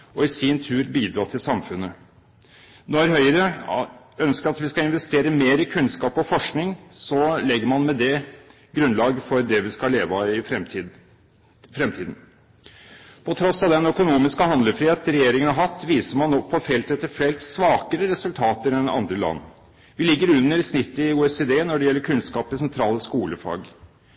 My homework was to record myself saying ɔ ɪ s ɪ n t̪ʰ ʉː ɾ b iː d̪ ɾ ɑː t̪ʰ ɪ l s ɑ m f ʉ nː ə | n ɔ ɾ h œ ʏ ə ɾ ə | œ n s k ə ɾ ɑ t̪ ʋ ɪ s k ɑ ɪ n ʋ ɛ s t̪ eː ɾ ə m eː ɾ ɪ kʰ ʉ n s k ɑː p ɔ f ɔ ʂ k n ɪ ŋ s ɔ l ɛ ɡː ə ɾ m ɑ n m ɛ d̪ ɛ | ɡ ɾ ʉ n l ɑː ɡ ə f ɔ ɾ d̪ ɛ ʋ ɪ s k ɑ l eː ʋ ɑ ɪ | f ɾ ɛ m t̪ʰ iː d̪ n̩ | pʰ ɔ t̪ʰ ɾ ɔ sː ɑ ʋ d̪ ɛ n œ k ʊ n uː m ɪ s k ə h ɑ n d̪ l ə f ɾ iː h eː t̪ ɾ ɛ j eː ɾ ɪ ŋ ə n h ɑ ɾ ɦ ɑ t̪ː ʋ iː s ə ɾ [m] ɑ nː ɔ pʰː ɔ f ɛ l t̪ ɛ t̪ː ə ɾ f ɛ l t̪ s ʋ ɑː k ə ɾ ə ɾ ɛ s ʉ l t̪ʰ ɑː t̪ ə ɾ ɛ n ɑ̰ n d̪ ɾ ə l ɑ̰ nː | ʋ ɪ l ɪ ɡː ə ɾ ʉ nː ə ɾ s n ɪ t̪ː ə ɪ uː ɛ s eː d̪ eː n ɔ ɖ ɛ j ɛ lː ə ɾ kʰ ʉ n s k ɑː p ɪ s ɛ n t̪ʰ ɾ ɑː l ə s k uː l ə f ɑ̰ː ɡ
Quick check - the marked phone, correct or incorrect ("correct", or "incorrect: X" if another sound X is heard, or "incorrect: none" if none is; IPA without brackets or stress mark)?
correct